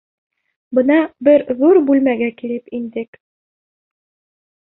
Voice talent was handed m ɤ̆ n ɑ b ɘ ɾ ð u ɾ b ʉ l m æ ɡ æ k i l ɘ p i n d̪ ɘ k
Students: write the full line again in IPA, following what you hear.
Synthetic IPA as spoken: b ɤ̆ n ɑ b ɘ ɾ ð u ɾ b ʉ l m æ ɡ æ k i l ɘ p i n d̪ ɘ k